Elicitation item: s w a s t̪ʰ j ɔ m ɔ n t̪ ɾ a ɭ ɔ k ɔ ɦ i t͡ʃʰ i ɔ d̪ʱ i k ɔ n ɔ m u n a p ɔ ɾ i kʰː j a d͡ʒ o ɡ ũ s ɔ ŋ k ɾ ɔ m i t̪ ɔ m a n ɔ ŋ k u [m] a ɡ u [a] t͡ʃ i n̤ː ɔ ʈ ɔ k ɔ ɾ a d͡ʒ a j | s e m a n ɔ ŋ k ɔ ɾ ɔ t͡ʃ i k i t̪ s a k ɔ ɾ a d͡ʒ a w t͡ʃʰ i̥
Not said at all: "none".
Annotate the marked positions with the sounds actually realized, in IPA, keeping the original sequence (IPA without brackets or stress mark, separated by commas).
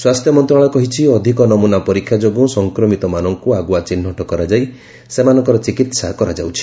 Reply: none, a